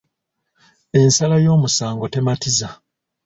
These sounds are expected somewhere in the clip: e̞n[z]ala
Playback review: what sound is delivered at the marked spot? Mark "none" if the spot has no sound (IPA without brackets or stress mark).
s